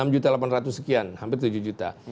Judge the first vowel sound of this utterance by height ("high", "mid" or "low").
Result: low